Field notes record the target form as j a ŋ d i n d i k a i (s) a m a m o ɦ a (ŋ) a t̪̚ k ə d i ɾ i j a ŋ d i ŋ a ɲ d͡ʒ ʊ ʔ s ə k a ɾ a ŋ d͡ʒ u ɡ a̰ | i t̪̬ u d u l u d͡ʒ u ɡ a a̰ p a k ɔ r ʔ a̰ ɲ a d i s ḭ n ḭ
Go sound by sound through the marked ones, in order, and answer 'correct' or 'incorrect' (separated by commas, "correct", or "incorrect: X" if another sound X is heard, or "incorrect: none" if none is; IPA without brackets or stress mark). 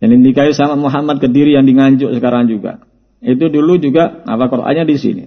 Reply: correct, incorrect: m